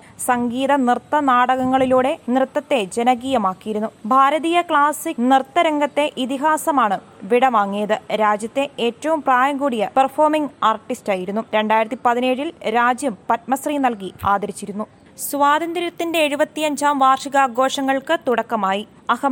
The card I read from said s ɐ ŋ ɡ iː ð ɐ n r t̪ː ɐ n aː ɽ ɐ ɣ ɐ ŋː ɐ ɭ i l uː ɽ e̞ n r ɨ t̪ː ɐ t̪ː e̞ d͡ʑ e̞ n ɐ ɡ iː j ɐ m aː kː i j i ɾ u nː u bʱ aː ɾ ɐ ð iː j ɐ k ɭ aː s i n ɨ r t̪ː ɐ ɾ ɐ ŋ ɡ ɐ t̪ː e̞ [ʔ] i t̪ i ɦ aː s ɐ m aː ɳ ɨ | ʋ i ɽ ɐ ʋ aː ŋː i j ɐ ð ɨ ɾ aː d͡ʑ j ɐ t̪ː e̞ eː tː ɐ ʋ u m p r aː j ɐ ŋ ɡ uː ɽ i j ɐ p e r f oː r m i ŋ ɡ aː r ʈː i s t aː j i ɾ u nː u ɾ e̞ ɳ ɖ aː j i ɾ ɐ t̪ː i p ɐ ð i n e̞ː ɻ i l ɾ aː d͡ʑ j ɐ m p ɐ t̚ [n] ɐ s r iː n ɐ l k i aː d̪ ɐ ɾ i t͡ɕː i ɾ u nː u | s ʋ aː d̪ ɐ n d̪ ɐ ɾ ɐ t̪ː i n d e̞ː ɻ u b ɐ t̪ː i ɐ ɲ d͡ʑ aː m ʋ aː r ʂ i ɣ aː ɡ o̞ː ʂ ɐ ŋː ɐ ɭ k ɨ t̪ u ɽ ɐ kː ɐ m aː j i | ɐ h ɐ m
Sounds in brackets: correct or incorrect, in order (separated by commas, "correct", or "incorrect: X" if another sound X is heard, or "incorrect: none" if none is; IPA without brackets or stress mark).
correct, incorrect: m